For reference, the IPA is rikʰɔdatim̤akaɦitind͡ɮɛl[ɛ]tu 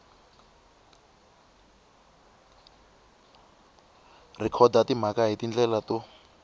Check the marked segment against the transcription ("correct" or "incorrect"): incorrect